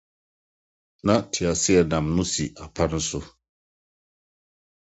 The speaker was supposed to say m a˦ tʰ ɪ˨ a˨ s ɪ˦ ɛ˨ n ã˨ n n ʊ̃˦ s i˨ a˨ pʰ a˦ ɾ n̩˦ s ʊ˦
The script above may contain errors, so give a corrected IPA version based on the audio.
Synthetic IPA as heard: n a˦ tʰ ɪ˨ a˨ s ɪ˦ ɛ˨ n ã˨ m n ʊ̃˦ s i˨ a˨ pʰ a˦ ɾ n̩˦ s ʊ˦